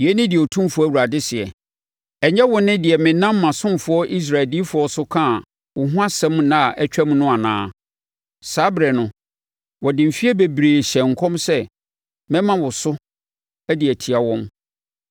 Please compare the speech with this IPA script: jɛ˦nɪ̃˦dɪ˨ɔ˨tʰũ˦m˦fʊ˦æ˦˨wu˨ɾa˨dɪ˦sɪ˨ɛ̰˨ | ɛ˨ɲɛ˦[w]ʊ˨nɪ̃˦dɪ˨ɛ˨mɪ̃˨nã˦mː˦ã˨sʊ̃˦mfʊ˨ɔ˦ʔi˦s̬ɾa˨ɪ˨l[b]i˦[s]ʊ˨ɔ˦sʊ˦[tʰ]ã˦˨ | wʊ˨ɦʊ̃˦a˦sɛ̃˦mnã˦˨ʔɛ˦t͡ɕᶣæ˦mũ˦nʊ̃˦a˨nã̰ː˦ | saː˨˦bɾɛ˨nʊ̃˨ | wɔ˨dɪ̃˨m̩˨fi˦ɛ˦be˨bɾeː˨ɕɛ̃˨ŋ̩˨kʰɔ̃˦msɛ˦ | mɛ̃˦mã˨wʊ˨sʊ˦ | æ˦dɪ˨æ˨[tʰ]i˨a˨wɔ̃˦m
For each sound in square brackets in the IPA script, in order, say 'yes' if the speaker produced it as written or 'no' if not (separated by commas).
yes, no, no, no, yes